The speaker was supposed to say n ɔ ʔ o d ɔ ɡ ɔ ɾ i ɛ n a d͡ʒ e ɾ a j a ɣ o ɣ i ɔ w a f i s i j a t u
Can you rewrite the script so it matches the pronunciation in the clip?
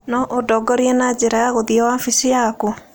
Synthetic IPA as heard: n ɔ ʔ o d ɔ ɡ ɔ ɾ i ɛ n a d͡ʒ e ɾ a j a ɣ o ð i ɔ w a f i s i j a k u